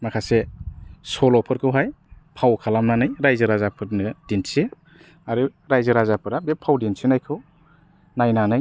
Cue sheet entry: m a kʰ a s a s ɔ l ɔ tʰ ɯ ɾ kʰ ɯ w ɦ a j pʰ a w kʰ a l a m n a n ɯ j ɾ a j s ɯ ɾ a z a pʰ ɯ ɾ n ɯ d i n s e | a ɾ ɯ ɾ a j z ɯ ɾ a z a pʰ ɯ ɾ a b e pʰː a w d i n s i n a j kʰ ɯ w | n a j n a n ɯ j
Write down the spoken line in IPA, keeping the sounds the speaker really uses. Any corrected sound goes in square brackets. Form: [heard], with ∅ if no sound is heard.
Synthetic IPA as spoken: m a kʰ a s [e] s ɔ l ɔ [pʰ] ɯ ɾ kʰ ɯ w ɦ a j pʰ a w kʰ a l a m n a n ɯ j ɾ a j [z] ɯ ɾ a z a pʰ ɯ ɾ n ɯ d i n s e | a ɾ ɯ ɾ a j z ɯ ɾ a z a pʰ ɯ ɾ a b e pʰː a w d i n s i n a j kʰ ɯ w | n a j n a n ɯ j